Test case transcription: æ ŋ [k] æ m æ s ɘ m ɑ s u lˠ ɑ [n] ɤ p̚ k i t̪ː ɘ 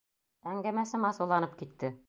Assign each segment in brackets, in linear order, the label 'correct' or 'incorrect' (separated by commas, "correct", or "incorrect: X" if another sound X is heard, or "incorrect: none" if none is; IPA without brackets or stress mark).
incorrect: ɡ, correct